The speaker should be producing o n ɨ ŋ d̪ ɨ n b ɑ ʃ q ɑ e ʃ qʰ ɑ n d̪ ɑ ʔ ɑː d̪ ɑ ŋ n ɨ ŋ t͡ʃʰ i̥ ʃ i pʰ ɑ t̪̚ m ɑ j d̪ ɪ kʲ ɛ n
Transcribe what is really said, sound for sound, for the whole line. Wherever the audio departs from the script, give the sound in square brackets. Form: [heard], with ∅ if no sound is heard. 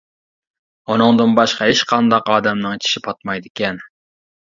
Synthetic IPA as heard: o n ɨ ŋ d̪ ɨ n b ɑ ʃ q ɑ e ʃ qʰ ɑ n d̪ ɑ [q] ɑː d̪ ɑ [m] n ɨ ŋ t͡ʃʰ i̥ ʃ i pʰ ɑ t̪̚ m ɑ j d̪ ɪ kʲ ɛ n